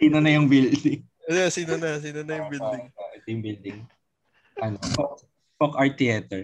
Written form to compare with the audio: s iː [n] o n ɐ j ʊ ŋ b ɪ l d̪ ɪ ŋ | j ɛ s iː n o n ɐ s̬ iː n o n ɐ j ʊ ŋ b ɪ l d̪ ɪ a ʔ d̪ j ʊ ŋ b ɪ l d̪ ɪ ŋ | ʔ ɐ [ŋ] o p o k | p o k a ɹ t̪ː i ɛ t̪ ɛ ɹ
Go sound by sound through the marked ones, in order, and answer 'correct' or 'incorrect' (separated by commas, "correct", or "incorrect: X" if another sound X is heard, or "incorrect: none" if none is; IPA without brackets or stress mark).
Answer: correct, incorrect: n